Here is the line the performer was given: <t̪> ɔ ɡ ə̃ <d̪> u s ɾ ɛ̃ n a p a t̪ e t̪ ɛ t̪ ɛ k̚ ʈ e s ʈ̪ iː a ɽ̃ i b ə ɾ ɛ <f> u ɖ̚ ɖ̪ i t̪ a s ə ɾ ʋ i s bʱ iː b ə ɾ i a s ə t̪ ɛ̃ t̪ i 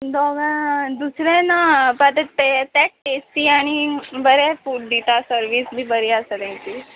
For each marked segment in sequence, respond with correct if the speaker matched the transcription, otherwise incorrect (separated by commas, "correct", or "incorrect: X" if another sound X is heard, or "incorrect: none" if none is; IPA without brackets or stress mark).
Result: incorrect: d̪, correct, correct